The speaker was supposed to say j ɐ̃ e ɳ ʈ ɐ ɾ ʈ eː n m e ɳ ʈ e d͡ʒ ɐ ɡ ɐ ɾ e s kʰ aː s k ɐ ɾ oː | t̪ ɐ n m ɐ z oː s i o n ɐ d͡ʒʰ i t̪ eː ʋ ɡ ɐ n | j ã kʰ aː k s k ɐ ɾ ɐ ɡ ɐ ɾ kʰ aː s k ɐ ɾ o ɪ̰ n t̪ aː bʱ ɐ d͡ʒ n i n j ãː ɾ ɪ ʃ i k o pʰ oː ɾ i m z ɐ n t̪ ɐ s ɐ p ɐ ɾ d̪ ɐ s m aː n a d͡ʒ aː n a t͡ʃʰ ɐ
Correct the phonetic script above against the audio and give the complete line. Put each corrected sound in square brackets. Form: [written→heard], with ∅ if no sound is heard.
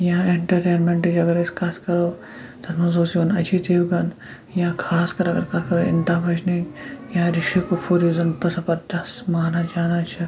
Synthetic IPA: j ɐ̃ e ɳ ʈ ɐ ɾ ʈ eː n m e ɳ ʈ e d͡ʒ ɐ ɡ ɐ ɾ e s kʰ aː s k ɐ ɾ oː | t̪ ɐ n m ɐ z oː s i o n ɐ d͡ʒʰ i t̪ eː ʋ ɡ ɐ n | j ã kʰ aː [k→∅] s k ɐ ɾ ɐ ɡ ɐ ɾ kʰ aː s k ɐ ɾ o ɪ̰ n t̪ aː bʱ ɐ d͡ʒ n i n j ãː ɾ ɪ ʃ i k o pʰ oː ɾ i [m→∅] z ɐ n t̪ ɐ s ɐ p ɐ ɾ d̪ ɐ s m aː n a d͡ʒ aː n a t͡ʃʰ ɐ

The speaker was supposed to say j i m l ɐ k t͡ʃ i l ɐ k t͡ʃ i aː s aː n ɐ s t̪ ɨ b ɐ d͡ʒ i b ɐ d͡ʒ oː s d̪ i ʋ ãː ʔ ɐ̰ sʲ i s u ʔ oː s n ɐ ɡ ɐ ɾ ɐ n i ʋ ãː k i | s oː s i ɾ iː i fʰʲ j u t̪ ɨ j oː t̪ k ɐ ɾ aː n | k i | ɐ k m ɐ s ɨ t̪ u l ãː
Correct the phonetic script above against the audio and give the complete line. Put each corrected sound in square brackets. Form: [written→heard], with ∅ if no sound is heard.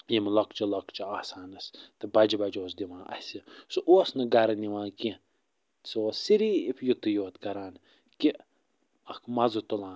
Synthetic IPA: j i m l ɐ k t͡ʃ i l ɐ k t͡ʃ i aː s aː n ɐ s t̪ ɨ b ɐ d͡ʒ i b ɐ d͡ʒ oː s d̪ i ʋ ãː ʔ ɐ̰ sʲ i s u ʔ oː s n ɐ ɡ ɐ ɾ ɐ n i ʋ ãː k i | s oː s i ɾ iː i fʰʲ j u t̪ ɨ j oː t̪ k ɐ ɾ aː n | k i | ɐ k m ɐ [s→z] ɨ t̪ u l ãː

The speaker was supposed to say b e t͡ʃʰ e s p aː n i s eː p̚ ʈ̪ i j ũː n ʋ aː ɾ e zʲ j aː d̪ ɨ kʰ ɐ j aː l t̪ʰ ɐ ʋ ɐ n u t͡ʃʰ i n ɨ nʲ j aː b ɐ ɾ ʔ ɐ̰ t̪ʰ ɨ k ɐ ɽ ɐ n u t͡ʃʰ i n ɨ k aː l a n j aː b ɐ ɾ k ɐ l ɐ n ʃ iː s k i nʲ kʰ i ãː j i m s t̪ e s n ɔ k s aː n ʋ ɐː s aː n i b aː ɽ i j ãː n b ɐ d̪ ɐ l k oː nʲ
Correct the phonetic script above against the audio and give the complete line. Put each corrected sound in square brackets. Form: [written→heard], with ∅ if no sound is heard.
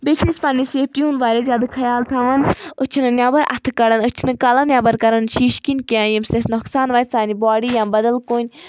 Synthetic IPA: b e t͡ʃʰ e s p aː n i s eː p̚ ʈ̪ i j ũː n ʋ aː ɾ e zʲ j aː d̪ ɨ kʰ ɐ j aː l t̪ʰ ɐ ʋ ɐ n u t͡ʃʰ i n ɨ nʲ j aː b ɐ ɾ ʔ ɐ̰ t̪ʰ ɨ k ɐ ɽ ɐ n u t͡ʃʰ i n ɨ k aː l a n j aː b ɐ ɾ k ɐ [l→ɾ] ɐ n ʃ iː [s→ʃ] k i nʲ [kʰ→k] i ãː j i m s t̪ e s n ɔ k s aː n ʋ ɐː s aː n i b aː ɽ i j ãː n b ɐ d̪ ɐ l k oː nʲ

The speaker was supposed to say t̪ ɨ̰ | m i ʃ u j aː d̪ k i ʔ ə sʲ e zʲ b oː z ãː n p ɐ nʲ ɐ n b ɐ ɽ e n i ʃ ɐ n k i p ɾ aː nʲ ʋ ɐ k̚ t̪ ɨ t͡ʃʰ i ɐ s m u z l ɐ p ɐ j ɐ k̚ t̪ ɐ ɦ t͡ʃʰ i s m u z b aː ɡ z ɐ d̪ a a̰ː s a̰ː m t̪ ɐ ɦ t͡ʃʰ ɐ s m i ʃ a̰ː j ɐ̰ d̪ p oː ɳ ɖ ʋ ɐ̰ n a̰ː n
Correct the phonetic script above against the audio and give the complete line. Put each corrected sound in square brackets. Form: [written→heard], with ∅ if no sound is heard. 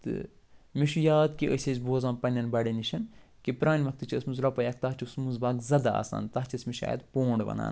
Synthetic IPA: t̪ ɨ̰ | m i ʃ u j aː d̪ k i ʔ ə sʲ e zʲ b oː z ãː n p ɐ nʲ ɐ n b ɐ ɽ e n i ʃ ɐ n k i p ɾ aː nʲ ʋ ɐ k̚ t̪ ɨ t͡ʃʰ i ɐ s m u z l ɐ p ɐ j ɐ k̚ t̪ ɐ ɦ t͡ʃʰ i s m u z b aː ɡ z ɐ d̪ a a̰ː s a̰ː [m→n] t̪ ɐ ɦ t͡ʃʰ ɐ s m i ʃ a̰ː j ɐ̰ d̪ p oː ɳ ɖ ʋ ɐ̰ n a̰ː n

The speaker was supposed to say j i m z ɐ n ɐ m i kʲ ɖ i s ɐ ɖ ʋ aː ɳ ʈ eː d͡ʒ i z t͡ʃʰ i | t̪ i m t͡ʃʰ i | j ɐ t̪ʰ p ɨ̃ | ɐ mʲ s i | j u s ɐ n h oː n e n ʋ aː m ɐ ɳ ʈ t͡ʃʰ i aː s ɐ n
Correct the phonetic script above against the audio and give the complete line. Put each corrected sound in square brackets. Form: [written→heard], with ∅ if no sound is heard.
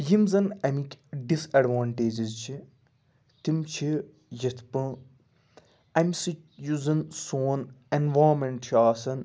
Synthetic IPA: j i m z ɐ n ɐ m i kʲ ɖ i s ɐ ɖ ʋ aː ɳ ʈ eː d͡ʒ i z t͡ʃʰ i | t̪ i m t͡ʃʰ i | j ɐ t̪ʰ p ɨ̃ | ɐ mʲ s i | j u [s→z] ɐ n [h→s] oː n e n ʋ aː m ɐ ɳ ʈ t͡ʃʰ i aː s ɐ n

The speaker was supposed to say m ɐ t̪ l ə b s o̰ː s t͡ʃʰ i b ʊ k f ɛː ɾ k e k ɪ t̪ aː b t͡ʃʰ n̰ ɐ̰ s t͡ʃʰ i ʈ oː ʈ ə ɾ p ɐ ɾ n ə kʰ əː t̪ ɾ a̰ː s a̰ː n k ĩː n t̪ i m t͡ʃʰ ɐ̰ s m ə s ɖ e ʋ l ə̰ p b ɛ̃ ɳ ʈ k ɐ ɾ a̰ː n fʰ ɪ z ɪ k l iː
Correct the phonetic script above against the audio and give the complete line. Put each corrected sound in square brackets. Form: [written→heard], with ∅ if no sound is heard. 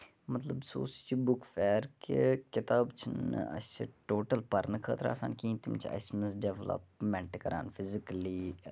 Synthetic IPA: m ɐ t̪ l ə b s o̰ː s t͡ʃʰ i b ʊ k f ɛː ɾ k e k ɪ t̪ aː b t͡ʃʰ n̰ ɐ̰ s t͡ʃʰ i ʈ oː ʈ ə [ɾ→l] p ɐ ɾ n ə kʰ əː t̪ ɾ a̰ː s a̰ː n k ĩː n t̪ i m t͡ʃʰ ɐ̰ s m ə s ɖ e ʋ l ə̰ p [b→m] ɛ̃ ɳ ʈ k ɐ ɾ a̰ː n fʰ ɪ z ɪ k l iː

